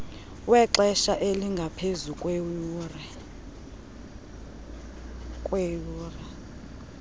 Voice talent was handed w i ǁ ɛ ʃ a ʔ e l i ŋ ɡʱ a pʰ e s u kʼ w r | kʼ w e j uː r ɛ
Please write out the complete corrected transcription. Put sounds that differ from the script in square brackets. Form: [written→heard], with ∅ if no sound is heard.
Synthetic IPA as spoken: w [i→ɛ] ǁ ɛ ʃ a ʔ e l i ŋ ɡʱ a pʰ e [s→z] u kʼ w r | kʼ w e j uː r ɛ